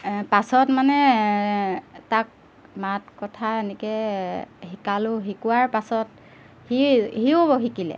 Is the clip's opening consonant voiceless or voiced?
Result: voiceless